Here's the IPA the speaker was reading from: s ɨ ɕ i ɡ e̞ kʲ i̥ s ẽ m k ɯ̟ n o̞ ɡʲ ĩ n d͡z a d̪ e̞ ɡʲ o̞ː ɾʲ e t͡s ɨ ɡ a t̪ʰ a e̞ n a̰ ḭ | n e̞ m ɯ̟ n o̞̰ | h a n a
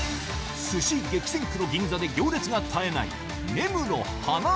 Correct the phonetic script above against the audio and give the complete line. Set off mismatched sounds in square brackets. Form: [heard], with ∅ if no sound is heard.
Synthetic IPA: s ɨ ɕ i ɡ e̞ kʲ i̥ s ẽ [ŋ] k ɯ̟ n o̞ ɡʲ ĩ n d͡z a d̪ e̞ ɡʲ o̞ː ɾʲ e t͡s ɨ ɡ a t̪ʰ a e̞ n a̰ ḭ | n e̞ m ɯ̟ n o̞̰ | h a n a